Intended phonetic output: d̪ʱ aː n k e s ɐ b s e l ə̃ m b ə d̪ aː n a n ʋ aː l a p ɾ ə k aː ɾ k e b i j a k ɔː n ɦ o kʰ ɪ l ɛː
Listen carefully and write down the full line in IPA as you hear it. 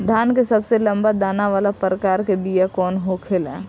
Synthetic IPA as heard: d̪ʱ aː n k e s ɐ b s e l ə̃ m b a d̪ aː n a ʋ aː l a p ɾ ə k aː ɾ k e b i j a k ɔː n ɦ o kʰ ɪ l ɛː